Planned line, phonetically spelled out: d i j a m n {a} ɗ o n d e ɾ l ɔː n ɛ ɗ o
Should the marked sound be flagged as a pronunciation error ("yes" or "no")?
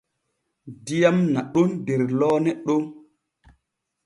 no